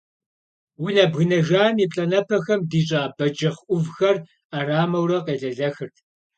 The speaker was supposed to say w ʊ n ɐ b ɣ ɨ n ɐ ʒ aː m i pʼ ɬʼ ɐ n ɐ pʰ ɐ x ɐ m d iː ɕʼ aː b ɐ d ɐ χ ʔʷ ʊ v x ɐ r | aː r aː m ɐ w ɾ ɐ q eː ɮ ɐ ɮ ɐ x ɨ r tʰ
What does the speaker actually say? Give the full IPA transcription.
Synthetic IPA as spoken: w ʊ n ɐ b ɣ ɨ n ɐ ʒ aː m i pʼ ɬʼ ɐ n ɐ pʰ ɐ x ɐ m d iː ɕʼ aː b ɐ d͡ʒ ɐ χ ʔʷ ʊ v x ɐ r | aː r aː m ɐ w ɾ ɐ q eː ɮ ɐ ɮ ɐ x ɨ r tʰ